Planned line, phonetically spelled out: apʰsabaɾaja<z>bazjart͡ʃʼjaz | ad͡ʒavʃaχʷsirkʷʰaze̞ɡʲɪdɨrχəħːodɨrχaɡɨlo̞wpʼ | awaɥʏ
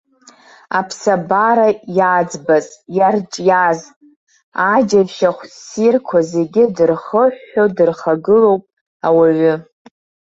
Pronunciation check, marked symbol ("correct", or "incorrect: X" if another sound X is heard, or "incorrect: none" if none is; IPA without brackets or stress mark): incorrect: d͡z